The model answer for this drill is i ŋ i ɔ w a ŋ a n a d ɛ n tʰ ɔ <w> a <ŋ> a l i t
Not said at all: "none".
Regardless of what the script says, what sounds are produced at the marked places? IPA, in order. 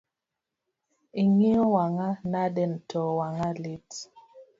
w, ŋ

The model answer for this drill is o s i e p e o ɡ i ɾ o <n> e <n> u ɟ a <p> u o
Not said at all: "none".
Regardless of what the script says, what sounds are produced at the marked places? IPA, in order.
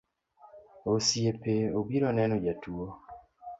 n, n, t

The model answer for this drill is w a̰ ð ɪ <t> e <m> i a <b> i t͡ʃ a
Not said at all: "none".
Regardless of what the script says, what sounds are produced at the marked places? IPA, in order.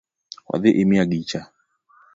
ʔ, m, ɡ

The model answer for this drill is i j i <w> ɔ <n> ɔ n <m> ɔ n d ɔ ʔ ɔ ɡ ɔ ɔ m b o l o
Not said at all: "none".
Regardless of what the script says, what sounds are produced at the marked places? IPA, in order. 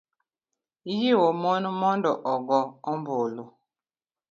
w, m, m

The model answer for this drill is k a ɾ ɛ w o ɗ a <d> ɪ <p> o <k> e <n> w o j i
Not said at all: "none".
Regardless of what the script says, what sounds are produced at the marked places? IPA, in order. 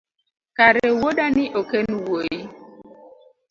n, ʔ, k, n

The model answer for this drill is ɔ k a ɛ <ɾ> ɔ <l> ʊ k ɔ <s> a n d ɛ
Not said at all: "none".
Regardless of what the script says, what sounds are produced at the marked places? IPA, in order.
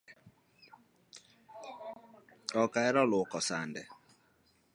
ɾ, l, s

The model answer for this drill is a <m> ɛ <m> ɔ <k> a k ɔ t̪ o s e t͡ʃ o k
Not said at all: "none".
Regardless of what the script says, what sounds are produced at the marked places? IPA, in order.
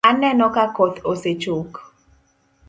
n, n, k

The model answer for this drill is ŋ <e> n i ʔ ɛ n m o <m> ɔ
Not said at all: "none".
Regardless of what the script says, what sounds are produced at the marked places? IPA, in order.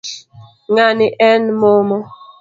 a, m

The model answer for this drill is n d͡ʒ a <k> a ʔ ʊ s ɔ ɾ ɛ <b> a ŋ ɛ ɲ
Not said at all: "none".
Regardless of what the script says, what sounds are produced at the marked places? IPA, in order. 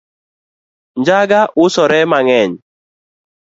ɡ, m

